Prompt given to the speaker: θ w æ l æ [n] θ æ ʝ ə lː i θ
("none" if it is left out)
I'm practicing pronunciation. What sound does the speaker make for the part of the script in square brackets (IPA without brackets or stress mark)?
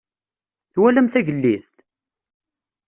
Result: m